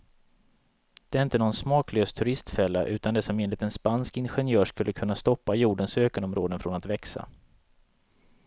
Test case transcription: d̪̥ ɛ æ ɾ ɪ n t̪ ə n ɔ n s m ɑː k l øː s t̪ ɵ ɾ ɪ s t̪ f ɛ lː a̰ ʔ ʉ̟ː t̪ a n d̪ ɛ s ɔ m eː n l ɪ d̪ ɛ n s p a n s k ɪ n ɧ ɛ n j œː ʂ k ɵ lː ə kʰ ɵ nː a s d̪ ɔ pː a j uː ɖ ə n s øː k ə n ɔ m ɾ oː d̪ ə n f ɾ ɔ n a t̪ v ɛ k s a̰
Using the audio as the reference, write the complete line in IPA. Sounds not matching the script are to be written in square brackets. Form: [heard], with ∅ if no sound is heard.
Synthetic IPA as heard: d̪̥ ɛ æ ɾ ɪ n t̪ ə n ɔ n s m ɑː k l øː s [t̪ʰ] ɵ ɾ ɪ s t̪ f ɛ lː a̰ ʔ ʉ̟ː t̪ a n d̪ ɛ s ɔ m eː n l ɪ [t̪] ɛ n s p a n s k ɪ n ɧ ɛ n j œː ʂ k ɵ lː ə kʰ ɵ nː a s [t̪] ɔ pː a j uː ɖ ə n s øː k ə n ɔ m ɾ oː d̪ ə n f ɾ ɔ n a t̪ v ɛ k s a̰